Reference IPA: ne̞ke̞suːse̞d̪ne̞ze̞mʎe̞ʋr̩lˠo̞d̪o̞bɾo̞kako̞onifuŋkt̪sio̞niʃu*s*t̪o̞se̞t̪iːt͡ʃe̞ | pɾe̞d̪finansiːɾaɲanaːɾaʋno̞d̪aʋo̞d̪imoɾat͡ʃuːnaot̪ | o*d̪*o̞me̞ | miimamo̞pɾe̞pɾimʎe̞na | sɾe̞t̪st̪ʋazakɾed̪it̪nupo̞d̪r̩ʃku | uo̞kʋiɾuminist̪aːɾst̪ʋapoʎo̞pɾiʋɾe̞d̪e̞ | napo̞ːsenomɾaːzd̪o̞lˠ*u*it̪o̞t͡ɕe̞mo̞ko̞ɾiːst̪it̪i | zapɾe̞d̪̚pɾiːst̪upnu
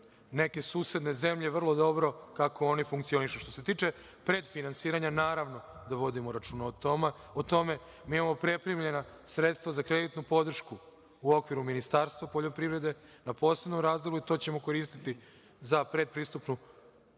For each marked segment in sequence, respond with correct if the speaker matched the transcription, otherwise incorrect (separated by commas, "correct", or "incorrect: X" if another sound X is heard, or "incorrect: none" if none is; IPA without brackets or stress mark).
incorrect: ʃ, incorrect: t̪, correct